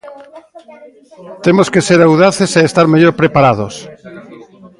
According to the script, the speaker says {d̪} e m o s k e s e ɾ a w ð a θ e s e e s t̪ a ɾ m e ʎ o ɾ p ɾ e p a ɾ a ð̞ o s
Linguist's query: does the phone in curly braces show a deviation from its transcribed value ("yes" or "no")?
yes